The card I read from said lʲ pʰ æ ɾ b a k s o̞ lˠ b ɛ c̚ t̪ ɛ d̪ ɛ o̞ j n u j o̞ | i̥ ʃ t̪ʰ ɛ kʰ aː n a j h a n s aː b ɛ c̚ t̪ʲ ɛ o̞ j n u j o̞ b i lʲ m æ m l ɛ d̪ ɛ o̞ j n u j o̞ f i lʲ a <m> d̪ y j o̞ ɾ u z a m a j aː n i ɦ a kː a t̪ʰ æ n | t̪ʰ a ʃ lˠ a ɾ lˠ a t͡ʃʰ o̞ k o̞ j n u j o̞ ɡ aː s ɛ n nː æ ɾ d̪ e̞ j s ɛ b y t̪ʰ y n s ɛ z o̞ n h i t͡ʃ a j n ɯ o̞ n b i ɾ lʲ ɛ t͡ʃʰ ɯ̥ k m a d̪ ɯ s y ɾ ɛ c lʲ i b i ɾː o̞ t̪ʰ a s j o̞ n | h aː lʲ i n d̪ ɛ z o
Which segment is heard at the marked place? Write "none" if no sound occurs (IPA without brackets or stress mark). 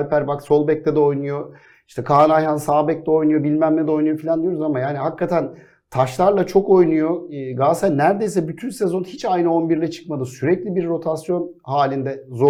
n